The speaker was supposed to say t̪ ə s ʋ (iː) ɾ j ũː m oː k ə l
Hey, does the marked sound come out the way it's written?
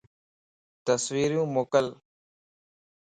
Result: yes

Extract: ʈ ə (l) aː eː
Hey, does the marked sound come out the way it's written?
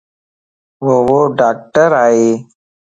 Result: no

